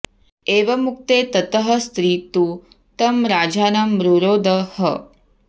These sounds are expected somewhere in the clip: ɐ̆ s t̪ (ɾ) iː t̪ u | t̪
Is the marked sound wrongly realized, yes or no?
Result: no